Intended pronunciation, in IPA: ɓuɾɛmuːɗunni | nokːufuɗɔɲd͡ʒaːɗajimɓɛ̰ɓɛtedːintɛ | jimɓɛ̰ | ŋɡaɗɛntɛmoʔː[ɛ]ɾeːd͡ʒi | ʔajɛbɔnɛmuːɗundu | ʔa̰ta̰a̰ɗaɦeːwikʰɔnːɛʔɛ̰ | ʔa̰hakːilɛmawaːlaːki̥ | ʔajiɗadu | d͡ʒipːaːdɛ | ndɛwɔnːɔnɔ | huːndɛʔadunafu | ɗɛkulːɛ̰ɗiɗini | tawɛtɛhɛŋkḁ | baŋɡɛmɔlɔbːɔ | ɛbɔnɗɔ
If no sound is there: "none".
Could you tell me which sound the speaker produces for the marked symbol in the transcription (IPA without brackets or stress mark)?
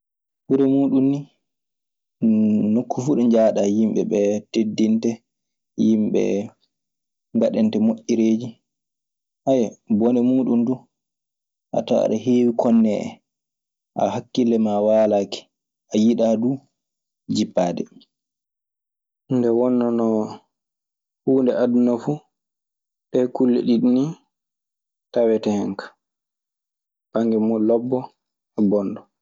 i